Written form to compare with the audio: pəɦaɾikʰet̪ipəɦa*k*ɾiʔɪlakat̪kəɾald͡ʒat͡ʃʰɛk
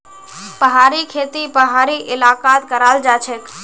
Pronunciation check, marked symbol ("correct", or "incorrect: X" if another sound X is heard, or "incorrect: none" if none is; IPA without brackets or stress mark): incorrect: none